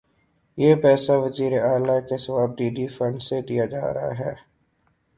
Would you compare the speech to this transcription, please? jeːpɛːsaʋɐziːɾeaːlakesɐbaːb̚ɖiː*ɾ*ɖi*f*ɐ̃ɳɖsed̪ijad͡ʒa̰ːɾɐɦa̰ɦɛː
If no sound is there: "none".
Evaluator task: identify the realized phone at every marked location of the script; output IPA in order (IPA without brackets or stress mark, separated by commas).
none, f